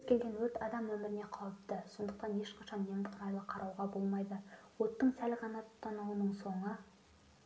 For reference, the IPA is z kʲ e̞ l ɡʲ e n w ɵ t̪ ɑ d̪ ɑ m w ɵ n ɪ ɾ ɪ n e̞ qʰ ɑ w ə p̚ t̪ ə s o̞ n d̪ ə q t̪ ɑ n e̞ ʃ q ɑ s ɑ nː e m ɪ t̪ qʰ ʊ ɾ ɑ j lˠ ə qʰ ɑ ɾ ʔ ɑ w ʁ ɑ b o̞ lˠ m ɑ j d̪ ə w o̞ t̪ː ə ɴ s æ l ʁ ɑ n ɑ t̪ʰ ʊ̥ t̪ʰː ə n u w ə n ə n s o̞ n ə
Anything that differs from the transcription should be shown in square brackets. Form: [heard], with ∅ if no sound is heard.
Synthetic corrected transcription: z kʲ e̞ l ɡʲ e n w ɵ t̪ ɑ d̪ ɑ m w ɵ [m] ɪ ɾ ɪ n e̞ qʰ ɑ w ə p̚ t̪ ə s o̞ n d̪ ə q t̪ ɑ n e̞ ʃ q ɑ [ʃ] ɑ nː e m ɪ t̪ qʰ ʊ ɾ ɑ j lˠ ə qʰ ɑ ɾ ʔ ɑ w ʁ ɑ b o̞ lˠ m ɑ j d̪ ə w o̞ t̪ː ə ɴ s æ l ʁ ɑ n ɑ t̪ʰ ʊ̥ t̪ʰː [ɑ] n u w ə n ə [ɴ] s o̞ [ɴ] ə